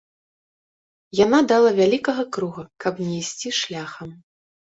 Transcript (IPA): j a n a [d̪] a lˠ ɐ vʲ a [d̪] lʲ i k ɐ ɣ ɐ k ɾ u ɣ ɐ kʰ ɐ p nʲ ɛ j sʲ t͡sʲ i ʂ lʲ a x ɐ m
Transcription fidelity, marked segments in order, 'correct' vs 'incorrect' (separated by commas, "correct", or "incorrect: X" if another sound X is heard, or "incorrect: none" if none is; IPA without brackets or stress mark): correct, incorrect: none